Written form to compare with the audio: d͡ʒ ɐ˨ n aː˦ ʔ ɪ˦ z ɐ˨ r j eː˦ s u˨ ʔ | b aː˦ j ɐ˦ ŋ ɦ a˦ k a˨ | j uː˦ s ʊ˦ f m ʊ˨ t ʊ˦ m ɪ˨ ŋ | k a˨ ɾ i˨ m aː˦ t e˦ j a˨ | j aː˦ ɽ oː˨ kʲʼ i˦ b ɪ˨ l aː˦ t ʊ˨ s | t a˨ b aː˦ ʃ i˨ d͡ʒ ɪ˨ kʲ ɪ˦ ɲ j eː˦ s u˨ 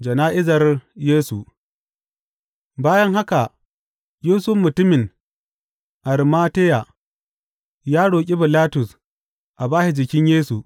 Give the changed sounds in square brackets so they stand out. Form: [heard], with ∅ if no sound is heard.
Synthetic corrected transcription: d͡ʒ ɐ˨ n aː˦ ʔ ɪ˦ z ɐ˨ r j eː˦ s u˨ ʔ | b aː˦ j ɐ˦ ŋ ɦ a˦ k a˨ | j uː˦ s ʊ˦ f m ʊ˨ t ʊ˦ m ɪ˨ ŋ | [ʔ] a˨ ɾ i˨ m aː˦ t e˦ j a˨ | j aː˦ ɽ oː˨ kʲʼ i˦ b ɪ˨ l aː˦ t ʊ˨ s | [ʔ] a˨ b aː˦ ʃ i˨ d͡ʒ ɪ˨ kʲ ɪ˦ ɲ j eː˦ s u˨

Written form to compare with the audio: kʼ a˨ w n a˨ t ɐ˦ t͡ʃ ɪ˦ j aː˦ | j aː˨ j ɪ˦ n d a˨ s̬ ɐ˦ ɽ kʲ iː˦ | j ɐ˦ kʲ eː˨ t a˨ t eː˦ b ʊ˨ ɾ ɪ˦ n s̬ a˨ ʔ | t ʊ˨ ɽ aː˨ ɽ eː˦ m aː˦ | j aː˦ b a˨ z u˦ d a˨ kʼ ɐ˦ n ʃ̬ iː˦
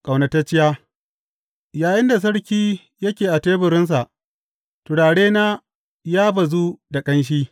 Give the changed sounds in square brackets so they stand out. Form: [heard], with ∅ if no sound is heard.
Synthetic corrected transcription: kʼ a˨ w n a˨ t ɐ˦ t͡ʃ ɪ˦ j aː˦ | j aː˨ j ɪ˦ n d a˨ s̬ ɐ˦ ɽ kʲ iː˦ | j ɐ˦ kʲ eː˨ [ʔ] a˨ t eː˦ b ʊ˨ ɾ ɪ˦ n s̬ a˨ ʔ | t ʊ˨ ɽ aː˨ ɽ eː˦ [n] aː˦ | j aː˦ b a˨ z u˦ d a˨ kʼ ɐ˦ n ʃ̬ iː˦

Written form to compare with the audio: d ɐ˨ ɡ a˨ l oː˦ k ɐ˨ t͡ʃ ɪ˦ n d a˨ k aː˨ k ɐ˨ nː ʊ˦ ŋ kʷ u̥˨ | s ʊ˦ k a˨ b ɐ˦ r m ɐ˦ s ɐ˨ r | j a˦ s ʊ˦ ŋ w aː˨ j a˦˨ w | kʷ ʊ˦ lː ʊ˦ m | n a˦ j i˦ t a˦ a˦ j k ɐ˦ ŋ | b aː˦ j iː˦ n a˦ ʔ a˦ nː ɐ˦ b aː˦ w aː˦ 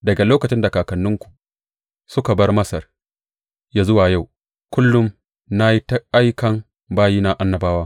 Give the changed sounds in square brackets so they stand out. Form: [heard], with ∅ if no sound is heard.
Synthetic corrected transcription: d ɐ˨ ɡ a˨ l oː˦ k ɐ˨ t͡ʃ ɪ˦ n d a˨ k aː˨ k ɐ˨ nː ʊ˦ ŋ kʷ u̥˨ | s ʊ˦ k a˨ b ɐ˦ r m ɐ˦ s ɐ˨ r | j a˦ [z] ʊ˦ [∅] w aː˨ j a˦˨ w | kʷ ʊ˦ lː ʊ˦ m | n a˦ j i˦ t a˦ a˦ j k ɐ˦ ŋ | b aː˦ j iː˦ n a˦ ʔ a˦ nː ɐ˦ b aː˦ w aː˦

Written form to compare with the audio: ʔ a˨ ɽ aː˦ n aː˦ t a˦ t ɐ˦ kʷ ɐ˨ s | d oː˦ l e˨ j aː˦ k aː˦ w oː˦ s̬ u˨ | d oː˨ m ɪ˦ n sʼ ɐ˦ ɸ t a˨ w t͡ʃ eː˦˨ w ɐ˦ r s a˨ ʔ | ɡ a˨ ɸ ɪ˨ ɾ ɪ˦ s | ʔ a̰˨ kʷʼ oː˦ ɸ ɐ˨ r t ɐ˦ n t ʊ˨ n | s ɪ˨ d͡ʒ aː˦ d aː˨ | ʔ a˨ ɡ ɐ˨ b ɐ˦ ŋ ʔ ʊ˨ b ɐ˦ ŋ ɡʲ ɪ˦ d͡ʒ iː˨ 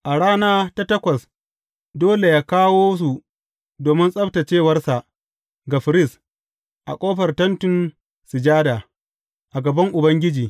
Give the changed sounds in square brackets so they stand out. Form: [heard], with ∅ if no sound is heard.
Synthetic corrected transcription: ʔ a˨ ɽ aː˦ n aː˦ t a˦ t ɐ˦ kʷ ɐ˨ s | d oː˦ l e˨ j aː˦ k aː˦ w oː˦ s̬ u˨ | d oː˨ m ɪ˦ n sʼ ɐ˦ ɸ t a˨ [∅] t͡ʃ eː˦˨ w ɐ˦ r s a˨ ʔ | ɡ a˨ ɸ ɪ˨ ɾ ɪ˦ s | ʔ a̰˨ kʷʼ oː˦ ɸ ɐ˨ r t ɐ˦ n t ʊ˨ n | s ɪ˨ d͡ʒ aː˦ d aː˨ | ʔ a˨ ɡ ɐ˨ b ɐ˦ ŋ ʔ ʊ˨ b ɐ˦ ŋ ɡʲ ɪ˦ d͡ʒ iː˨

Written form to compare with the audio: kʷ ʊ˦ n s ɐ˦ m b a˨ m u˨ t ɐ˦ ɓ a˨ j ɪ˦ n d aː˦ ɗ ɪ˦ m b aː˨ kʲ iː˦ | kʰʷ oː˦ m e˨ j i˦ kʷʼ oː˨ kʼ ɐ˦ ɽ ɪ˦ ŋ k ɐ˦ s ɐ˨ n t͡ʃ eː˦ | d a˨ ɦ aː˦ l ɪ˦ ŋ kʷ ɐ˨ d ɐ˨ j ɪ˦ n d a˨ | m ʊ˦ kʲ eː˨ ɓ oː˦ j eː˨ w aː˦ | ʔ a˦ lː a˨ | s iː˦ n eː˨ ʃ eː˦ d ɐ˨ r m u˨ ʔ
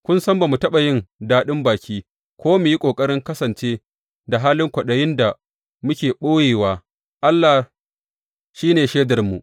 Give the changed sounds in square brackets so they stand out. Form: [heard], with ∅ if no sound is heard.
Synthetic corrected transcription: kʷ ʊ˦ n s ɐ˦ m b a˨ m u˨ t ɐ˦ ɓ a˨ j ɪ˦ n d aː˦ ɗ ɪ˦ m b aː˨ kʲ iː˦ | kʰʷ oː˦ m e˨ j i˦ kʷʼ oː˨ kʼ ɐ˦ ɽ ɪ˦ ŋ k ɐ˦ s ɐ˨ n t͡ʃ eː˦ | d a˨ ɦ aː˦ l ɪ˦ ŋ kʷ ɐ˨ [ɗ] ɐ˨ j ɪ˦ n d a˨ | m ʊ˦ kʲ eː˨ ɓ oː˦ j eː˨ w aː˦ | ʔ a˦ lː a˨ | [ʃ] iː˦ n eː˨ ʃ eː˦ d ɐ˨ r m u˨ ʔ

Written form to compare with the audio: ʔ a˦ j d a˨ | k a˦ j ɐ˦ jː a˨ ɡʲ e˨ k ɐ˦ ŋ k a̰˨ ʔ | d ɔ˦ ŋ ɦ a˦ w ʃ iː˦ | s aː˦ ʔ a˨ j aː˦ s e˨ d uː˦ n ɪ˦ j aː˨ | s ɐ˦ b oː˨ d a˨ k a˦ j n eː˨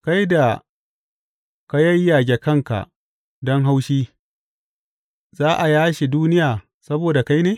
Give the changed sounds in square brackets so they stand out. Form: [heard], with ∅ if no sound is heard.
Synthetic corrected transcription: [k] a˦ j d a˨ | k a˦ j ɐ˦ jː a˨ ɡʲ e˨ k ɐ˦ ŋ k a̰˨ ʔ | d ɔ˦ ŋ ɦ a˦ w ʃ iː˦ | [z] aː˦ ʔ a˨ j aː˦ [ʃ] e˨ d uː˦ n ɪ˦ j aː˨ | s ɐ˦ b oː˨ d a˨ k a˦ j n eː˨

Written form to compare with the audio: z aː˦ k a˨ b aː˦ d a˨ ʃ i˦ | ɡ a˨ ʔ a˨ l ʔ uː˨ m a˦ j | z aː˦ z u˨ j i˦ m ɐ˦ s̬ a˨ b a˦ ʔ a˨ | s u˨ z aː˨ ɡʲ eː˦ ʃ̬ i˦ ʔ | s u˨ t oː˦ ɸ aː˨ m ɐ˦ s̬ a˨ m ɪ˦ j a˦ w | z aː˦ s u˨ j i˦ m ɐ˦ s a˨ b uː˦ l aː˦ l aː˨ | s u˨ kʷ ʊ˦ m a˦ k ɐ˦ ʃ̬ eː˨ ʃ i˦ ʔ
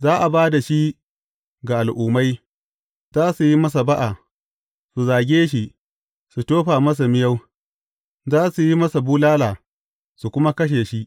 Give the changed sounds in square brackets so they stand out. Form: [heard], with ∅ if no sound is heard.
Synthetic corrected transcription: z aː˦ [ʔ] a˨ b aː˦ d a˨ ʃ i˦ | ɡ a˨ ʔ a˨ l ʔ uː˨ m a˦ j | z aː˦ [s] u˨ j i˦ m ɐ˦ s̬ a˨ b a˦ ʔ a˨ | s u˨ z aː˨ ɡʲ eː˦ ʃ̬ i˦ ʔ | s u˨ t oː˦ ɸ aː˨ m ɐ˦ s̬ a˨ m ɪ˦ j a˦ w | z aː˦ s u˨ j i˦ m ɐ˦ s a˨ b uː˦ l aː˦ l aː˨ | s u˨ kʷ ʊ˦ m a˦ k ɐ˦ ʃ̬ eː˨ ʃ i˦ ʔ

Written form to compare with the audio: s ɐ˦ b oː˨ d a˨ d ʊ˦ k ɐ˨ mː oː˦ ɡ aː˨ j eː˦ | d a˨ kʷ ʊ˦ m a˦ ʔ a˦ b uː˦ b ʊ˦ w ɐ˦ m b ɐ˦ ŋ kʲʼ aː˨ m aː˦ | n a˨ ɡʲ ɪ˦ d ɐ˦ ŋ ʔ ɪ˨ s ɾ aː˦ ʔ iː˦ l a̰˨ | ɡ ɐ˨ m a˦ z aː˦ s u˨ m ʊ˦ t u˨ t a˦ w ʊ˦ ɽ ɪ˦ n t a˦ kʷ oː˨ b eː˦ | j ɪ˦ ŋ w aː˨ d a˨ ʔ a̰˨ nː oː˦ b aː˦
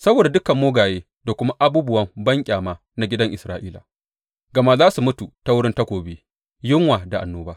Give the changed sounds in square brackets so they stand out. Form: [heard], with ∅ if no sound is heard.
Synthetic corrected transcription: s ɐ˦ b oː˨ d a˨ d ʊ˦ k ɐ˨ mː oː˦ ɡ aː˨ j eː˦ | d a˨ kʷ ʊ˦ m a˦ ʔ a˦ b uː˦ b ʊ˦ w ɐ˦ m b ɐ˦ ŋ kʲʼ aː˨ m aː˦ | n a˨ ɡʲ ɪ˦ d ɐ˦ ŋ ʔ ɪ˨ s ɾ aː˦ ʔ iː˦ l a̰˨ | ɡ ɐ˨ m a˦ z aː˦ s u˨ m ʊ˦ t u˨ t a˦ w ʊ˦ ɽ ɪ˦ n t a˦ kʷ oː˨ b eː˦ | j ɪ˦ ŋ w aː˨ d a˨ ʔ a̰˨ nː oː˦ b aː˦

